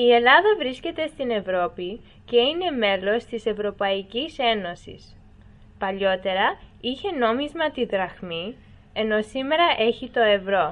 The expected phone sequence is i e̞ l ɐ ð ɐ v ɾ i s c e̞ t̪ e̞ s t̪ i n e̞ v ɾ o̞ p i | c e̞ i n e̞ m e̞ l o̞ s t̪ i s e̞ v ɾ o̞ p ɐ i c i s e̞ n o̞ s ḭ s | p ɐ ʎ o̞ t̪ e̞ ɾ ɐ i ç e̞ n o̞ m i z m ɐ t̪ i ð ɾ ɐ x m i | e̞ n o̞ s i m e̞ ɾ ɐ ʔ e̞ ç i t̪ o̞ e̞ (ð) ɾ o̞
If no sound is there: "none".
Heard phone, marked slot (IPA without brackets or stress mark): v